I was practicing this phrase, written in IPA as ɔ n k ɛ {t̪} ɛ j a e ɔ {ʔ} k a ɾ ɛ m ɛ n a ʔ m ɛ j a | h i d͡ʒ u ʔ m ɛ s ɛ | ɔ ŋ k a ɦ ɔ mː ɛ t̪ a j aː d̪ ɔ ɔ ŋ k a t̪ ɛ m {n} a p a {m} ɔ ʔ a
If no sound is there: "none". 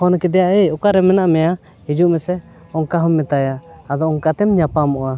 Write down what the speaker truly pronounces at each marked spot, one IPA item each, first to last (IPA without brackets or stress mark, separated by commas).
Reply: d̪, none, ɲ, m